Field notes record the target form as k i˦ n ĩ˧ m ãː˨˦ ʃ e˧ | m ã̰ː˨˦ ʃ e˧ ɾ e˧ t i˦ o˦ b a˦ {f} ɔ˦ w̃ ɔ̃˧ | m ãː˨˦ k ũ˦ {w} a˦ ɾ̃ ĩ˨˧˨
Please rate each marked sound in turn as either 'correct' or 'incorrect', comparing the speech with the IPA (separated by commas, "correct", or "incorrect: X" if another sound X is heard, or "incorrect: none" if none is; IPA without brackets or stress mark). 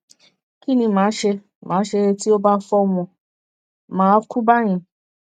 correct, incorrect: b